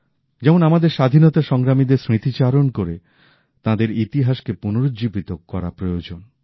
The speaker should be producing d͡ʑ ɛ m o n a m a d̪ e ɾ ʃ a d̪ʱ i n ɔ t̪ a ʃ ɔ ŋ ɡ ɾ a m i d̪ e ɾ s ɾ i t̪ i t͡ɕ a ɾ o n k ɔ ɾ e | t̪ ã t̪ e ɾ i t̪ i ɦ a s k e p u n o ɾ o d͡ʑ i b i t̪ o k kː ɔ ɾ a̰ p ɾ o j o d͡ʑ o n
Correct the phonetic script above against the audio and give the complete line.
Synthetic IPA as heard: d͡ʑ ɛ m o n a m a d̪ e ɾ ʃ a d̪ʱ i n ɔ t̪ a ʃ ɔ ŋ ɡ ɾ a m i d̪ e ɾ s ɾ i t̪ i t͡ɕ a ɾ o n k o ɾ e | t̪ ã d̪ e ɾ i t̪ i ɦ a ʃ k e p u n o ɾ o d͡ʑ i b i t̪ o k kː ɔ ɾ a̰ p ɾ o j o d͡ʑ o n